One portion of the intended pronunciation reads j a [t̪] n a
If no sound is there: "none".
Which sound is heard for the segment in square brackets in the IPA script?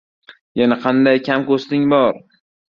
none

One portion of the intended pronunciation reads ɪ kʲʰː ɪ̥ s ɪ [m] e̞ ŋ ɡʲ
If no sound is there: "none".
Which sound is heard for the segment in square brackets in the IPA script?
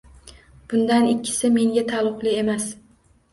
m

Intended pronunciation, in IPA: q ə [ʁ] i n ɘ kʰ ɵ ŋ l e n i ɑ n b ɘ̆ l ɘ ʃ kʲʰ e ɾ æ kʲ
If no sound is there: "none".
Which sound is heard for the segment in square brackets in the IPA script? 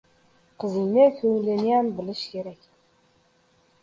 z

